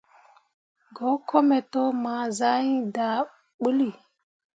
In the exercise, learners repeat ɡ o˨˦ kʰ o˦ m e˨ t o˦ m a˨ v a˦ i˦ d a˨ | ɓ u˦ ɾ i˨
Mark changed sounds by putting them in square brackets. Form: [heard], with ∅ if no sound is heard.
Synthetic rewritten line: ɡ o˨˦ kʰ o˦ m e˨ t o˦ m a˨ [z] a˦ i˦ d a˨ | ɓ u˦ [l] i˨